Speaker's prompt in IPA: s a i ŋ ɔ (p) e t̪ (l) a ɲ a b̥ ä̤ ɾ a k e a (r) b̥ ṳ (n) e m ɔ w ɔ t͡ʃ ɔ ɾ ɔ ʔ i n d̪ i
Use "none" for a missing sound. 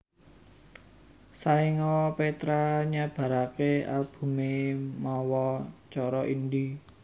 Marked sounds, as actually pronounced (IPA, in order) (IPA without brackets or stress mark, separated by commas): p, ɾ, l, m